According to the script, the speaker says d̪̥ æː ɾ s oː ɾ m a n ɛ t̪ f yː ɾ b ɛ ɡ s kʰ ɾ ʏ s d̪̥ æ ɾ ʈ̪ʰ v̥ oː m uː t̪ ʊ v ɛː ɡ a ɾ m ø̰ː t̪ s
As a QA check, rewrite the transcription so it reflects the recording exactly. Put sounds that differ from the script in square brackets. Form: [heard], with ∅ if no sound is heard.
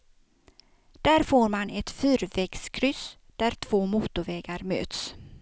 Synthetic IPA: d̪̥ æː ɾ [f] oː ɾ m a n ɛ t̪ f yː ɾ [v] ɛ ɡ s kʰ ɾ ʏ s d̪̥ æ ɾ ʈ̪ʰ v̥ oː m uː t̪ ʊ v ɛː ɡ a ɾ m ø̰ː t̪ s

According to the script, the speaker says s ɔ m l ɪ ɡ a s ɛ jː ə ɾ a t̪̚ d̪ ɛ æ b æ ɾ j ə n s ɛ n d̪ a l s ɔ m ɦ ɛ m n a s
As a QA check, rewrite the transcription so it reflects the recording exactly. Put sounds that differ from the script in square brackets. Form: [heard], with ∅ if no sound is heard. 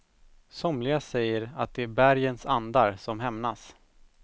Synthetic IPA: s ɔ m l ɪ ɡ a s ɛ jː ə ɾ a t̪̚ d̪ ɛ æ b æ ɾ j ə n s [a] n d̪ a [ɾ] s ɔ m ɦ ɛ m n a s

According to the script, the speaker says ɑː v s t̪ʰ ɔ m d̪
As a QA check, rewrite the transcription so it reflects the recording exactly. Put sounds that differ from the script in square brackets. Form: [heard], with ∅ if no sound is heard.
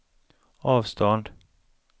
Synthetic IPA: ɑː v s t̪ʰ ɔ [n] d̪

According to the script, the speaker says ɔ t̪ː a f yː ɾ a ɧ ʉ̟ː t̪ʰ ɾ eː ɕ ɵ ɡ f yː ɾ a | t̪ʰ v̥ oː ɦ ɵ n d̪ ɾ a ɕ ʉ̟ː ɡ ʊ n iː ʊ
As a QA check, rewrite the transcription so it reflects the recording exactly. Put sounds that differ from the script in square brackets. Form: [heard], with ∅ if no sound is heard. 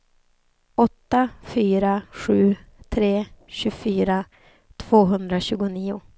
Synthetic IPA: ɔ t̪ː a f yː ɾ a ɧ ʉ̟ː t̪ʰ ɾ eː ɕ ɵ [∅] f yː ɾ a | t̪ʰ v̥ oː ɦ ɵ n d̪ ɾ a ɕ ʉ̟ː ɡ ʊ n iː ʊ

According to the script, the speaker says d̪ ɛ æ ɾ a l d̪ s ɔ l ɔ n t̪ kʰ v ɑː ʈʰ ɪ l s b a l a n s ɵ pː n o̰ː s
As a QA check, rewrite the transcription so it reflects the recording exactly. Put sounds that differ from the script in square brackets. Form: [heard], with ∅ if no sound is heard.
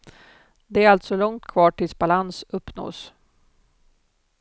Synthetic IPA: d̪ ɛ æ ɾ a l [t̪] s ɔ l ɔ [ŋ] t̪ kʰ v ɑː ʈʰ ɪ l s b a l a n s ɵ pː n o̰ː s

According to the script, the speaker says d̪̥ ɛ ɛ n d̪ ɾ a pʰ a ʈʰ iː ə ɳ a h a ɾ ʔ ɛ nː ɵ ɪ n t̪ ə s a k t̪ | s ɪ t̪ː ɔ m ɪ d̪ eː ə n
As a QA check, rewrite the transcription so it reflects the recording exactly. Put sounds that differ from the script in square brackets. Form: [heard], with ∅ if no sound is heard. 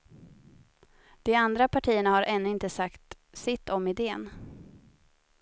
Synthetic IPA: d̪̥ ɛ [a] n d̪ ɾ a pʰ a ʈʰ iː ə ɳ a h a ɾ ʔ ɛ nː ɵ ɪ n t̪ ə s a k t̪ | s ɪ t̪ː ɔ m ɪ d̪ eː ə n

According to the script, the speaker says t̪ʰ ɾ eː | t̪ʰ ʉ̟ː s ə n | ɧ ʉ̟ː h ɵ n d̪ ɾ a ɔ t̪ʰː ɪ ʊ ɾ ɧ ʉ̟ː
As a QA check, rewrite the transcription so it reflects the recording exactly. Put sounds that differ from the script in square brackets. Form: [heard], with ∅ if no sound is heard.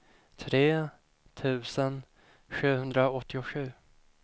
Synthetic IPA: t̪ʰ ɾ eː | t̪ʰ ʉ̟ː s ə n | ɧ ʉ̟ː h ɵ n d̪ ɾ a ɔ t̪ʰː ɪ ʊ [∅] ɧ ʉ̟ː

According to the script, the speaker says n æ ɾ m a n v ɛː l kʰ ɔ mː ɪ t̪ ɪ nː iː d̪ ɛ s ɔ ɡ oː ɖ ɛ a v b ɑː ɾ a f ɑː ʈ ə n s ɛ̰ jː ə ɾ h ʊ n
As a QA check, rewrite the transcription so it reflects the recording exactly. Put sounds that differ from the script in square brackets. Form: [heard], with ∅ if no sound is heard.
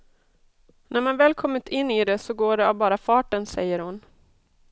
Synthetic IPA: n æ ɾ m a n v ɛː l kʰ ɔ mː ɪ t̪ ɪ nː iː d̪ ɛ s ɔ ɡ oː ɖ ɛ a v b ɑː ɾ a f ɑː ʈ ə n s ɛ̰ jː ə ɾ h ʊ n

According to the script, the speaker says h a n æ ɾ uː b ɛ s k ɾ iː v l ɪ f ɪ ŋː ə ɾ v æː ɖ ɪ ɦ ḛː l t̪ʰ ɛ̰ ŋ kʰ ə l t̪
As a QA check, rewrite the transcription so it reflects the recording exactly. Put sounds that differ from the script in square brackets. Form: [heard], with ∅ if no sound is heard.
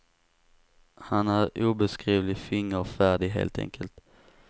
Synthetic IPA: h a n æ ɾ uː b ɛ s k ɾ iː v l ɪ f ɪ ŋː ə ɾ [f] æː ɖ ɪ ɦ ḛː l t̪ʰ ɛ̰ ŋ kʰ ə l t̪

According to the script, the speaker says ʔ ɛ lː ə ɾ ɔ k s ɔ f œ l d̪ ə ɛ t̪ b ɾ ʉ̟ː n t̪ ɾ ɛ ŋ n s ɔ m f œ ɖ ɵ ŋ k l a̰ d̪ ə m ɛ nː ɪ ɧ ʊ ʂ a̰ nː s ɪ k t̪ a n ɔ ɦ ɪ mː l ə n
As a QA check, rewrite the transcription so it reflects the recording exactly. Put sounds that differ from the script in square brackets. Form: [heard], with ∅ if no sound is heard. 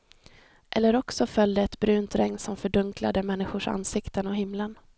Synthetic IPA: ʔ ɛ lː ə ɾ ɔ k s ɔ f œ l d̪ ə ɛ t̪ b ɾ ʉ̟ː n t̪ ɾ ɛ ŋ n s ɔ m f œ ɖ ɵ ŋ k l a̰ d̪ ə m ɛ nː ɪ ɧ ʊ ʂ a̰ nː s ɪ k t̪ [ə] n ɔ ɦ ɪ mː l ə n

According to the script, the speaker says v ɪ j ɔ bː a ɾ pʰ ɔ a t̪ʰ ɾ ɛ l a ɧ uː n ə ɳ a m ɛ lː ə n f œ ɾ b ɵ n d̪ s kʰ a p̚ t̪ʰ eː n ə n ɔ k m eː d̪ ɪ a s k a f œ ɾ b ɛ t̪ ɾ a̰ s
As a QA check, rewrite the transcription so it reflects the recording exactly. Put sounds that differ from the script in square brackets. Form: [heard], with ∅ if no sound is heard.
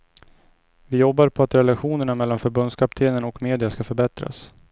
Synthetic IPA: v ɪ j ɔ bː a ɾ pʰ ɔ a [t̪] ɾ ɛ l a ɧ uː n ə ɳ a m ɛ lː [a] n f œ ɾ b ɵ n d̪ s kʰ a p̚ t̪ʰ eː n ə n ɔ k m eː d̪ ɪ a s k a f œ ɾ b ɛ t̪ ɾ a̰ s

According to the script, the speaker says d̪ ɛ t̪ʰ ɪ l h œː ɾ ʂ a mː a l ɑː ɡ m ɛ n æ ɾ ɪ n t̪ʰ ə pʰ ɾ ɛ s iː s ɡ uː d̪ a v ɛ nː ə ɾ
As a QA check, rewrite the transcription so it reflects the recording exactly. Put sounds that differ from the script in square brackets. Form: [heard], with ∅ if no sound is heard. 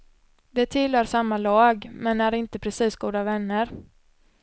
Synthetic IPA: d̪ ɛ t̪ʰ ɪ l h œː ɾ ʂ a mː a l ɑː ɡ m ɛ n æ ɾ ɪ n [t̪] ə pʰ ɾ ɛ s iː s ɡ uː d̪ a v ɛ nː ə ɾ

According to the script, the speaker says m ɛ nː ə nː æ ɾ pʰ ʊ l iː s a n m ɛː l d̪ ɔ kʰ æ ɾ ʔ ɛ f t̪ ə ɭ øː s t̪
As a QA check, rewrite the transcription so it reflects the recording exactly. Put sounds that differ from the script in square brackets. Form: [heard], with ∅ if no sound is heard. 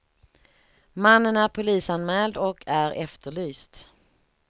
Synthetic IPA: m [a] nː ə [n] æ ɾ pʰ ʊ l iː s a n m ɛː l d̪ ɔ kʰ æ ɾ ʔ ɛ f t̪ ə ɭ [yː] s t̪

